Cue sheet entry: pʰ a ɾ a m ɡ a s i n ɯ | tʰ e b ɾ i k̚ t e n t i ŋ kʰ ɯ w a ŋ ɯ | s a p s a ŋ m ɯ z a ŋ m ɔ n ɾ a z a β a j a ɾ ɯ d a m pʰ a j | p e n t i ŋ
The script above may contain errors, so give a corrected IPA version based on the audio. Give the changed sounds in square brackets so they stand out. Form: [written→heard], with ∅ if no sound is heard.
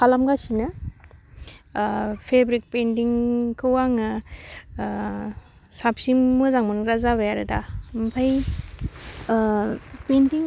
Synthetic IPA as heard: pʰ a [ɾ→l] a m ɡ a s i n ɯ | [tʰ→pʰ] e b ɾ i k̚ [t→p] e n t i ŋ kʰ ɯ w a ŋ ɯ | s a p s [a→i] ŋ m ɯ z a ŋ m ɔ n ɾ a z a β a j a ɾ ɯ d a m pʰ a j | p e n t i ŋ